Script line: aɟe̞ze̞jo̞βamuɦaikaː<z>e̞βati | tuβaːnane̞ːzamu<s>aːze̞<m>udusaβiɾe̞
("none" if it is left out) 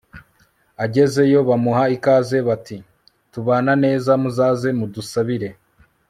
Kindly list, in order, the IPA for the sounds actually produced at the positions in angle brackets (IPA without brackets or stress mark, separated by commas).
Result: z, z, m